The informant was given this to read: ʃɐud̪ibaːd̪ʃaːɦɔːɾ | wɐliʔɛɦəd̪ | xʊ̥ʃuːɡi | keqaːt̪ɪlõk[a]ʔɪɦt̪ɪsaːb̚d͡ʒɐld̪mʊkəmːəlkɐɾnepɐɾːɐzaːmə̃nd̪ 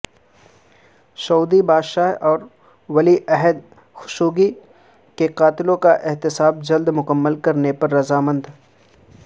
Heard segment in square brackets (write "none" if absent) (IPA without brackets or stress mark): a